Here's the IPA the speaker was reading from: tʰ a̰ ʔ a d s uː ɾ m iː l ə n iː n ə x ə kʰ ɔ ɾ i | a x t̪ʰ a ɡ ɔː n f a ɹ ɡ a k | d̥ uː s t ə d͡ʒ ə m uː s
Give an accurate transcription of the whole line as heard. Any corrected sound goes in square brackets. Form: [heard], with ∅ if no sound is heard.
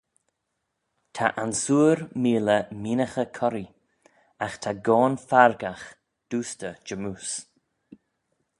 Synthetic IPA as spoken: tʰ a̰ ʔ a [n] s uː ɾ m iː l ə [m] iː n ə x ə kʰ ɔ ɾ i | a x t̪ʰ a ɡ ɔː n f a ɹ ɡ a [x] | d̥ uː s t ə d͡ʒ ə m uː s